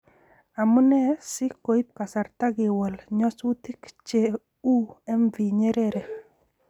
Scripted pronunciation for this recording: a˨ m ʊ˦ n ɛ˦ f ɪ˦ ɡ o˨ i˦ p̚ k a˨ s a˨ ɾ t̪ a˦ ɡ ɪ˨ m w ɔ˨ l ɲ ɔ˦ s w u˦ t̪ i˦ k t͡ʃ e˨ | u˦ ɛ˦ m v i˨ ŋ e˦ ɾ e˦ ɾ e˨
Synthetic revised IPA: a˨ m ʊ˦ n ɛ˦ s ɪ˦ k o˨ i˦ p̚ k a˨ s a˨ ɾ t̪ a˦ ɡ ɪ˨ w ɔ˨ l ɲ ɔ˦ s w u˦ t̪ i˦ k t͡ʃ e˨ | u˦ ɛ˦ m v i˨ ɲ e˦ ɾ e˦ ɾ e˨